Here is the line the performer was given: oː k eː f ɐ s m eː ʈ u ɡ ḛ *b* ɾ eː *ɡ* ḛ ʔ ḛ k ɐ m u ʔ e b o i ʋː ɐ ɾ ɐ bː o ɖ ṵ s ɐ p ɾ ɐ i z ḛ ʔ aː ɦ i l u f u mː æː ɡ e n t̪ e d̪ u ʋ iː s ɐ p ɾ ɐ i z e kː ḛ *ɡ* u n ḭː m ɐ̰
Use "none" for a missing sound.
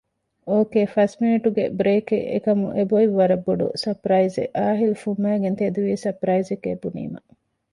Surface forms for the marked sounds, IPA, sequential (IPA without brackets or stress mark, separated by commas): b, k, b